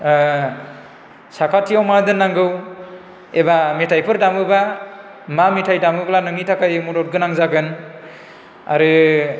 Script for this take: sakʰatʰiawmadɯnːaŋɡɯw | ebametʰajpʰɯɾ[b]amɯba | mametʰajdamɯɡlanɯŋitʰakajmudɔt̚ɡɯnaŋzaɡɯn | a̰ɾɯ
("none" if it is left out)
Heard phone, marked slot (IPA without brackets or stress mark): d